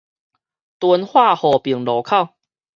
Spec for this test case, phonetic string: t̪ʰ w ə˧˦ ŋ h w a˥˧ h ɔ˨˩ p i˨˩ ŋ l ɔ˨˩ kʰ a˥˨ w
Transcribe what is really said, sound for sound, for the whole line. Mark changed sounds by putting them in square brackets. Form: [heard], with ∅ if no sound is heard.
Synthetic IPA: [t̪] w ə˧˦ [n] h w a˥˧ h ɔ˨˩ p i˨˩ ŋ l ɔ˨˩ kʰ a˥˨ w

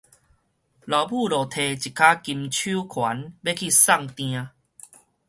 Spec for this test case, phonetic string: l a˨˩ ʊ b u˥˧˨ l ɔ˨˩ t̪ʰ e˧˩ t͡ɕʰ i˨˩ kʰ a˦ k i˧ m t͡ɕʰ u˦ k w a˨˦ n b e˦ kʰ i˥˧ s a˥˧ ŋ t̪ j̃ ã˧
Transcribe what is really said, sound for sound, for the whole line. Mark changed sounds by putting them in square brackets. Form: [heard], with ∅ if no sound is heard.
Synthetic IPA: l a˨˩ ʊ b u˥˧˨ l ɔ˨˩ t̪ʰ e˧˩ [t͡ɕ] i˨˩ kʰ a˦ k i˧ m t͡ɕʰ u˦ [kʰ] w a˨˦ n b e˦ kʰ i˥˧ s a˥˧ ŋ t̪ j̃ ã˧

